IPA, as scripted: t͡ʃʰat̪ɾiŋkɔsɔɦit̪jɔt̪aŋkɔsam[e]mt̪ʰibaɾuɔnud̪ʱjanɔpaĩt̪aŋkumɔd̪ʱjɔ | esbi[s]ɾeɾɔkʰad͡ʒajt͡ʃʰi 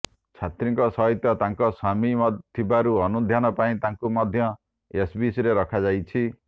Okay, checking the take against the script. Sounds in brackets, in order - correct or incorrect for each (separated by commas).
incorrect, correct